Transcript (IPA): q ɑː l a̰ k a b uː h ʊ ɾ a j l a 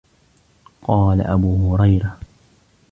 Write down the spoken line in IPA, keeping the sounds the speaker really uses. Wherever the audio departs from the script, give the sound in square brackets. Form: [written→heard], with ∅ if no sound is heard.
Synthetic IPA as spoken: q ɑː l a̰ [k→ʔ] a b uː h ʊ ɾ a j [l→ɾ] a